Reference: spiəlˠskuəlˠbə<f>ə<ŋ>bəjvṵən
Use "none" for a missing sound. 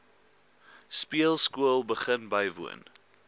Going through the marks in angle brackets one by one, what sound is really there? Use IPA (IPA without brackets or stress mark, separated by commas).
χ, n